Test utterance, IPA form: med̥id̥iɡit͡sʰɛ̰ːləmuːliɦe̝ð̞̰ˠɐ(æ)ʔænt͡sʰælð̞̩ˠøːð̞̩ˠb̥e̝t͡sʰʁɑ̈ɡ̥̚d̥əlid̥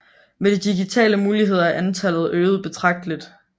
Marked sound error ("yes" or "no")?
no